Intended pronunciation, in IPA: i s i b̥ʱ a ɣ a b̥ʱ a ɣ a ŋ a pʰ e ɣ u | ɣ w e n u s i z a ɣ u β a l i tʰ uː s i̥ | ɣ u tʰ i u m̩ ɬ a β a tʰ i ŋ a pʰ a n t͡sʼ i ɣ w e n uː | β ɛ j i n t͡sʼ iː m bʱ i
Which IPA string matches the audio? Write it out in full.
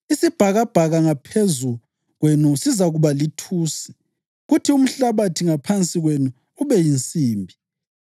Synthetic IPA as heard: i s i b̥ʱ a ɣ a b̥ʱ a ɣ a ŋ a pʰ e z u | ɣ w e n u s i z a ɣ u β a l i tʰ uː s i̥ | ɣ u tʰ i u m̩ ɬ a β a tʰ i ŋ a pʰ a n t͡sʼ i ɣ w e n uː | β ɛ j i n t͡sʼ iː m bʱ i